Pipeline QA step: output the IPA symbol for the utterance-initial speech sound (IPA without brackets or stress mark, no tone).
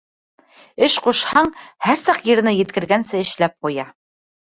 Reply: ɘ